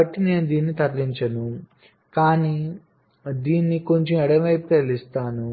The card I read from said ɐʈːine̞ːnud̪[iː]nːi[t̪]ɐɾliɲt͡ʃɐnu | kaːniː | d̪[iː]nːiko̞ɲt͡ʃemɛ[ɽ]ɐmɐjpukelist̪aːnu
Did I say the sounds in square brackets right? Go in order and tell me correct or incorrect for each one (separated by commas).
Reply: correct, correct, correct, correct